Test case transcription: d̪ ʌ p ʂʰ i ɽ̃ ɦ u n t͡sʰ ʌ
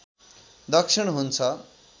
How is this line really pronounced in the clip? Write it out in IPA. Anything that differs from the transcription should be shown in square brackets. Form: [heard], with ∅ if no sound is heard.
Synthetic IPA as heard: d̪ ʌ [k] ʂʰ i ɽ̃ ɦ u n t͡sʰ ʌ